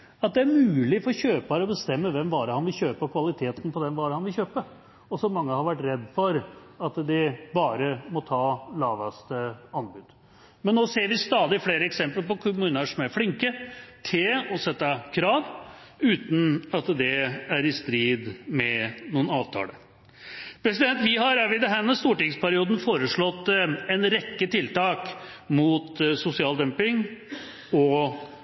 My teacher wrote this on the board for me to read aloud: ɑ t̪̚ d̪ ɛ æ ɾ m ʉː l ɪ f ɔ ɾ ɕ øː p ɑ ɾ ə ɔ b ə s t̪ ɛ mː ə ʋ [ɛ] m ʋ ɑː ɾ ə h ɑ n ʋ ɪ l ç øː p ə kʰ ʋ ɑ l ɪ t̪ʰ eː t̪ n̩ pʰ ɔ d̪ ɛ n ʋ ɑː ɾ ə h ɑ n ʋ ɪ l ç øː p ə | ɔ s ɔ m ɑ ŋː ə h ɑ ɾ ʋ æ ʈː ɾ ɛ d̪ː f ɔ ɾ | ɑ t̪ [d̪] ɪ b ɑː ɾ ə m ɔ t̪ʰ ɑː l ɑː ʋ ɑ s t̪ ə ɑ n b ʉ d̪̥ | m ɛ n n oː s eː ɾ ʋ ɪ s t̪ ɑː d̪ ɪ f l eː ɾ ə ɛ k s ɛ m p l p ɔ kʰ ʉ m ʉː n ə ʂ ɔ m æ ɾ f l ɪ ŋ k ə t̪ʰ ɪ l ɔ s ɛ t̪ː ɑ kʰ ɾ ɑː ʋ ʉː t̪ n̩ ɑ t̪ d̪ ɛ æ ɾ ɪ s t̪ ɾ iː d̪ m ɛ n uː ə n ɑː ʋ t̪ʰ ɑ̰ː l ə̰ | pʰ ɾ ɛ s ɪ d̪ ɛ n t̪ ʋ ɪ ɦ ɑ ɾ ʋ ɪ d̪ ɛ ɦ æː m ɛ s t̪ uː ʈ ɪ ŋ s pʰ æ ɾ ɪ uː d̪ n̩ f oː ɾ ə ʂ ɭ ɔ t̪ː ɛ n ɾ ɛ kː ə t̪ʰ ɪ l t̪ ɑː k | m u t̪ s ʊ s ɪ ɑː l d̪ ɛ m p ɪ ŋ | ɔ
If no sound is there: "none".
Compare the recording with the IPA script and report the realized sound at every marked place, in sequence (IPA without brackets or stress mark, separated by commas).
ɛ, d̪